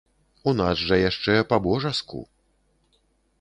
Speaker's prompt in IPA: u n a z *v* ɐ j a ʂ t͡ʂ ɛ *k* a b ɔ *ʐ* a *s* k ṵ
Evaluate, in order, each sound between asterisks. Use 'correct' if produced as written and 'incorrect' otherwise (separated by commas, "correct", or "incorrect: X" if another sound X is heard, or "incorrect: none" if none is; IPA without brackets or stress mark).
incorrect: ʐ, incorrect: p, correct, correct